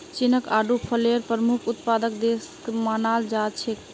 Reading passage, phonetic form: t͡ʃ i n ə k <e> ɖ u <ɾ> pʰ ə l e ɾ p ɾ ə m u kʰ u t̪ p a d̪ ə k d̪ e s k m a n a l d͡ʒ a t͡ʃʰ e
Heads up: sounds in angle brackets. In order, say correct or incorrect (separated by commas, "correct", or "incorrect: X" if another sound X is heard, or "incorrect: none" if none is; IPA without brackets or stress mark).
incorrect: a, incorrect: none